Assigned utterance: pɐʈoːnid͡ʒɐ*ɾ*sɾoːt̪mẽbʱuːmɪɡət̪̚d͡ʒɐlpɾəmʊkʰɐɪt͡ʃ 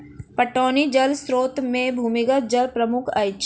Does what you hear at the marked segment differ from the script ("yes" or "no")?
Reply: yes